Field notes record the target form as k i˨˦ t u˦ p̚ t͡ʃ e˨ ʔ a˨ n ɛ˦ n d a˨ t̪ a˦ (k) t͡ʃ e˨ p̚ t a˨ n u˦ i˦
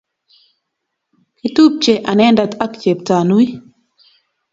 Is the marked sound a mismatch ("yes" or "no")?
no